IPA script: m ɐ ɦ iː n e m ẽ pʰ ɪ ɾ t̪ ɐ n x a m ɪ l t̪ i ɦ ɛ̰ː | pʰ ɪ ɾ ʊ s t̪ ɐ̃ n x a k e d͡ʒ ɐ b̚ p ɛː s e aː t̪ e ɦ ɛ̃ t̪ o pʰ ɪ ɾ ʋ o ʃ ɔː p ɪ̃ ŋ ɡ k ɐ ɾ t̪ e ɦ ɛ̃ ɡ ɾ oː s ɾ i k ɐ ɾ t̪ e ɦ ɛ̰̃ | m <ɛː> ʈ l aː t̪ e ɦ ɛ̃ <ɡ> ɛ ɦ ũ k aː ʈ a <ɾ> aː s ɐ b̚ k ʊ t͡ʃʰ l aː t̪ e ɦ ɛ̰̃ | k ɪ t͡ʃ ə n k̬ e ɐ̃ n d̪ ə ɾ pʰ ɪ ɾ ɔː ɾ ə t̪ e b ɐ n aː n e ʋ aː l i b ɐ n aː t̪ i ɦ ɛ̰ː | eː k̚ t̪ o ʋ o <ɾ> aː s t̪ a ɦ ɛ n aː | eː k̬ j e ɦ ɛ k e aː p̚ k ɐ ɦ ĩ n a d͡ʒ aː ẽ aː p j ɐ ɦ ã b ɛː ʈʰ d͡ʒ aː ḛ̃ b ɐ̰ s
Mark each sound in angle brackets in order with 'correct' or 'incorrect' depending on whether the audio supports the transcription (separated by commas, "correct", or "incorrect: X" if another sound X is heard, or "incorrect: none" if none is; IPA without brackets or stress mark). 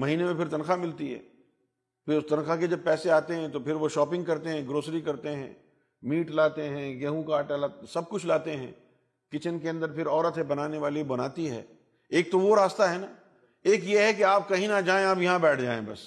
incorrect: iː, correct, incorrect: l, correct